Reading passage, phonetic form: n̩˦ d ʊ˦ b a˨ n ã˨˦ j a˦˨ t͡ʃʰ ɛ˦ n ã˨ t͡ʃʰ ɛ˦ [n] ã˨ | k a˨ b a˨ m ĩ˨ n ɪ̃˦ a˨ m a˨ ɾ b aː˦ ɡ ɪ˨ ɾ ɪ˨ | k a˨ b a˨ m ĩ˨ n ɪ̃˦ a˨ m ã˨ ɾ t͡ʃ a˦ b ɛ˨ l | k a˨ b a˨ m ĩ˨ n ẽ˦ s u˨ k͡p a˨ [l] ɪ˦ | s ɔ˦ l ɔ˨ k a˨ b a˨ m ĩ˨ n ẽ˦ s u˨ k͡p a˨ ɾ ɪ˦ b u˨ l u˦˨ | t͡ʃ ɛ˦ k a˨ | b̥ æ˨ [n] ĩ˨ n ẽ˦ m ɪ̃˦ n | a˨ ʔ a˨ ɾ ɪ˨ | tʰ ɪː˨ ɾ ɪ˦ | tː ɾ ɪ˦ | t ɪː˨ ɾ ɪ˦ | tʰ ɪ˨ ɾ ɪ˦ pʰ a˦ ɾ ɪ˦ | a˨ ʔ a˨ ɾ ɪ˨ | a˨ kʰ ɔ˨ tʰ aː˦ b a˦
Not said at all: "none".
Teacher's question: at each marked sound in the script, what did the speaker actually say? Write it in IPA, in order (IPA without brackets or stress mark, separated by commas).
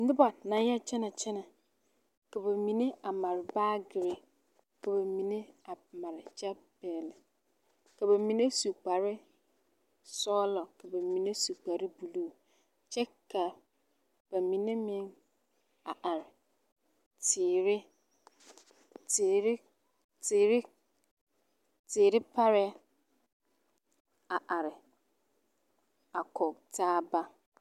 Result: n, ɾ, m